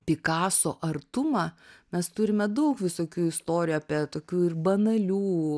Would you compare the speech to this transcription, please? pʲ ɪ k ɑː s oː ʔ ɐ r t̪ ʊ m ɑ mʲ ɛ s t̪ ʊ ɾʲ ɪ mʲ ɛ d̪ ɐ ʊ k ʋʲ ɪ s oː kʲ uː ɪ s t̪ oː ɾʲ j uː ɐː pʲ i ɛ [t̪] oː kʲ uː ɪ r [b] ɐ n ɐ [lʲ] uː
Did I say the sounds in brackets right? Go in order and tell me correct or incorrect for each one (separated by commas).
correct, correct, correct